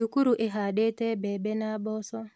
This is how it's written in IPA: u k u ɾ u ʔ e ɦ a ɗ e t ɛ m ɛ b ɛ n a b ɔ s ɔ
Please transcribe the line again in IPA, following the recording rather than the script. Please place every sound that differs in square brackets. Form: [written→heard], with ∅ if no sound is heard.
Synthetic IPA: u k u ɾ u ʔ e ɦ a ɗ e t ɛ [m→b] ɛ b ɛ n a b ɔ s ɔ

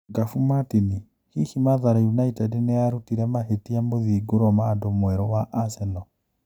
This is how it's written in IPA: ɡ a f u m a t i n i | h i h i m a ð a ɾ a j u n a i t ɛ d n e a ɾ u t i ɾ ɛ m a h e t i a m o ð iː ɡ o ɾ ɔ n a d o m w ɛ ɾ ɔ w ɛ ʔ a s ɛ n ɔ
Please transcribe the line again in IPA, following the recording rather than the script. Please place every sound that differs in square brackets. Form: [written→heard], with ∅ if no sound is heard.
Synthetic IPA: ɡ a f u m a t i n i | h i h i m a ð a ɾ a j u n a i t ɛ d n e a ɾ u t i ɾ ɛ m a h e t i a m o ð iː ɡ o ɾ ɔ [n→m] a d o m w ɛ ɾ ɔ w [ɛ→a] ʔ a s ɛ n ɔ

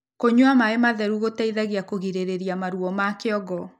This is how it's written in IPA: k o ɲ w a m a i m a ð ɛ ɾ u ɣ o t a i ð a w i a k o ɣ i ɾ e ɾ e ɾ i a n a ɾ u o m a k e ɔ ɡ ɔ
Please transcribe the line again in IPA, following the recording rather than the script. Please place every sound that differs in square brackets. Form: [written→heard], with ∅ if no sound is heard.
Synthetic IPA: k o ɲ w a m a [i→e] m a ð ɛ ɾ u ɣ o t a i ð a [w→ɣ] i a k o ɣ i ɾ e ɾ e ɾ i a [n→m] a ɾ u [o→ɔ] m a k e ɔ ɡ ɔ

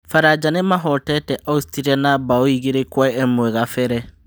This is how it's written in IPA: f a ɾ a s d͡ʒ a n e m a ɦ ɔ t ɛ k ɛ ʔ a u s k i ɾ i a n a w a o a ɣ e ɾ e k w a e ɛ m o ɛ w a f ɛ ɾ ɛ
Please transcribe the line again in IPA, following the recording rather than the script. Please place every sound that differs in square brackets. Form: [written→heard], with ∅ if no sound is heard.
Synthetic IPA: f a ɾ a [s→∅] d͡ʒ a n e m a ɦ ɔ t ɛ [k→t] ɛ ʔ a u s [k→t] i ɾ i a n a [w→b] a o [a→i] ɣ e ɾ e k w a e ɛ m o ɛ [w→ɣ] a f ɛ ɾ ɛ

